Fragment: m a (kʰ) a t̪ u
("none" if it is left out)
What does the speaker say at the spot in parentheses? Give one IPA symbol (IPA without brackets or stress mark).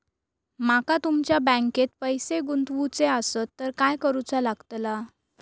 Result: k